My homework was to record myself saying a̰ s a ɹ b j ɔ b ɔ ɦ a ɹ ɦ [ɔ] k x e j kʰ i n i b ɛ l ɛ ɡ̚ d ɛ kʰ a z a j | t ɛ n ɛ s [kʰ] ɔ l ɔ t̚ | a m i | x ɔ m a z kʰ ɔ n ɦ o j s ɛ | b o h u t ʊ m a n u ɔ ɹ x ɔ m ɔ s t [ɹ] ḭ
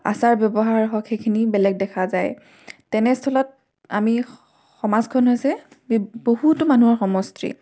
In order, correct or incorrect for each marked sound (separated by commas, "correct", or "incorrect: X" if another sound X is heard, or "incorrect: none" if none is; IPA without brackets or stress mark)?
correct, incorrect: tʰ, correct